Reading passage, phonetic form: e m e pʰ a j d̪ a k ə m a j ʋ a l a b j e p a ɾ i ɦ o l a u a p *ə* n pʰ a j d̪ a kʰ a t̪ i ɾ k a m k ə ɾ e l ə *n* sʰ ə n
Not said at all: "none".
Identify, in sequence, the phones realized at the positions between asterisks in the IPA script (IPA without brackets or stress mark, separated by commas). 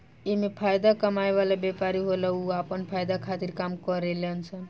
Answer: ə, n